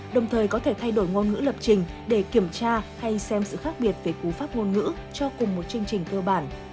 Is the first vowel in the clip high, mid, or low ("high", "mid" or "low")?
mid